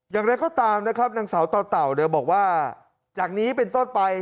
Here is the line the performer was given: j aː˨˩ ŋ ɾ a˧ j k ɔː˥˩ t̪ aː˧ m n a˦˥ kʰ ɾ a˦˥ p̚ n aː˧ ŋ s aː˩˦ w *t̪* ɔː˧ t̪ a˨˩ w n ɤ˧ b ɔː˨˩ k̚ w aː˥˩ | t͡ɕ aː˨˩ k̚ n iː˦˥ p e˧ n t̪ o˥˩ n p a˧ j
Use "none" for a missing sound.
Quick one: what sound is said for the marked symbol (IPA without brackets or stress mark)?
t̪